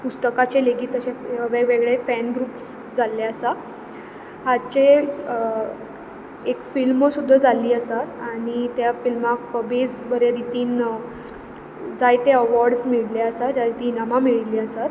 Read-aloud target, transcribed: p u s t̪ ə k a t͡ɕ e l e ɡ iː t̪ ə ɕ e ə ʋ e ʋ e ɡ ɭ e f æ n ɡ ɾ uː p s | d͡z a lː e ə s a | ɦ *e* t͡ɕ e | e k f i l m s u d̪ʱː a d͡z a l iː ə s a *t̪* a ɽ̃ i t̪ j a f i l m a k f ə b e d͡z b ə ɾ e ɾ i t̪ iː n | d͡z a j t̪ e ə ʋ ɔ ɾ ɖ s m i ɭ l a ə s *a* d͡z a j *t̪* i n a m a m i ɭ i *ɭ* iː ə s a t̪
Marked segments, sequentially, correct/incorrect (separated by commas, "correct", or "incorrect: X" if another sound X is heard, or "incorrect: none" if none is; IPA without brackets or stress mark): incorrect: a, correct, correct, correct, incorrect: l